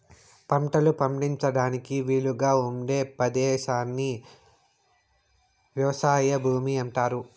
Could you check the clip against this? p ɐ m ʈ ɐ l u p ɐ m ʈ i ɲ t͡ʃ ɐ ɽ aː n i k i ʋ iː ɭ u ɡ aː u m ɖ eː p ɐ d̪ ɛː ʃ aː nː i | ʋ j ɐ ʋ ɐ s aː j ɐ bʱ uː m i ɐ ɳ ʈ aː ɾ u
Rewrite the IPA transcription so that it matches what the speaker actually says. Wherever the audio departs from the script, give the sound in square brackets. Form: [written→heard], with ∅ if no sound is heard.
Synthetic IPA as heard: p ɐ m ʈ ɐ l u p ɐ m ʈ i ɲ t͡ʃ ɐ ɽ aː n i k i ʋ iː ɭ u ɡ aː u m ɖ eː p ɐ d̪ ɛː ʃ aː nː i | ʋ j ɐ ʋ ɐ s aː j ɐ bʱ uː m i ɐ ɳ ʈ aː ɾ u